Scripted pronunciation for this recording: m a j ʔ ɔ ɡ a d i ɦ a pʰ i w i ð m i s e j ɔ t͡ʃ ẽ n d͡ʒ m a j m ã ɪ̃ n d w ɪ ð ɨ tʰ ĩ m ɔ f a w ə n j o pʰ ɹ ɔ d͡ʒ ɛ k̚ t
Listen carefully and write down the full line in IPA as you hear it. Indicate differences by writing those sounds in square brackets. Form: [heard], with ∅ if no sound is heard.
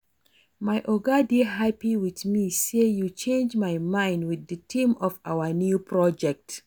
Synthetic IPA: m a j ʔ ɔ ɡ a d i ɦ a [p] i w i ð m i s e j [u] t͡ʃ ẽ n d͡ʒ m a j m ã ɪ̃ n d w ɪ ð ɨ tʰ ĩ m ɔ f a w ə n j [u] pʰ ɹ ɔ d͡ʒ ɛ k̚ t